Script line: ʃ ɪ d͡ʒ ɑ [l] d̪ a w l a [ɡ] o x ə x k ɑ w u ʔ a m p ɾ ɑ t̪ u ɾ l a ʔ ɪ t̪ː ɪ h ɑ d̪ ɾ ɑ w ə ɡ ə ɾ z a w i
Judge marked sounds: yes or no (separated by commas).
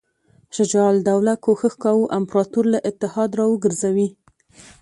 yes, no